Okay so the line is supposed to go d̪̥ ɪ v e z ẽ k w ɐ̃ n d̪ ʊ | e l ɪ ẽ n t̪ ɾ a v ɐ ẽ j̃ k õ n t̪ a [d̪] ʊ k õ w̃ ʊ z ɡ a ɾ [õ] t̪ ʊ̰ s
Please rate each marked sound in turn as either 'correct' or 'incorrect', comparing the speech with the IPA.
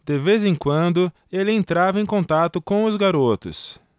incorrect: t̪, incorrect: o

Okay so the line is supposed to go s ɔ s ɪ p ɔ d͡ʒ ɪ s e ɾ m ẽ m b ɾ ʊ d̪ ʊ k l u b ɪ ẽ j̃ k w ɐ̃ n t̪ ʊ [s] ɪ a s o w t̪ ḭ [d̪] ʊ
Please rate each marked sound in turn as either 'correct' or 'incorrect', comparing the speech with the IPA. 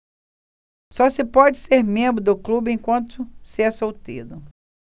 correct, correct

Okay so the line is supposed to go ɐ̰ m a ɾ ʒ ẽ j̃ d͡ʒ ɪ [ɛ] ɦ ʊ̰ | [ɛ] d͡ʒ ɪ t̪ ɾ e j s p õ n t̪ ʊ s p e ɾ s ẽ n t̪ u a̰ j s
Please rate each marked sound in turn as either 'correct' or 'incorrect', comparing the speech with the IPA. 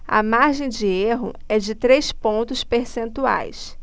incorrect: e, correct

